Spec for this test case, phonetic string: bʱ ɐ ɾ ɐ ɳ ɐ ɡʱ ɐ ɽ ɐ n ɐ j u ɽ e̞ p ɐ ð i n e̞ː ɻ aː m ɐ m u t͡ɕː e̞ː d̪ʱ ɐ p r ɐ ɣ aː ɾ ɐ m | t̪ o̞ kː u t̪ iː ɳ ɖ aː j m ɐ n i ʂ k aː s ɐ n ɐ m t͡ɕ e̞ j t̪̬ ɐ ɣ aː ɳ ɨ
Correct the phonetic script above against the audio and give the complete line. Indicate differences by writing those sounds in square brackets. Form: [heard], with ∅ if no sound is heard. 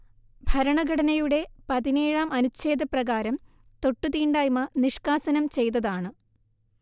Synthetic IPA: bʱ ɐ ɾ ɐ ɳ ɐ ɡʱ ɐ ɽ ɐ n ɐ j u ɽ e̞ p ɐ ð i n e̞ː ɻ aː m ɐ [n] u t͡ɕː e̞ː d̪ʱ ɐ p r ɐ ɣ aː ɾ ɐ m | t̪ o̞ [ʈː] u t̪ iː ɳ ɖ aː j m ɐ n i ʂ k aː s ɐ n ɐ m t͡ɕ e̞ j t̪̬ ɐ [ð] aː ɳ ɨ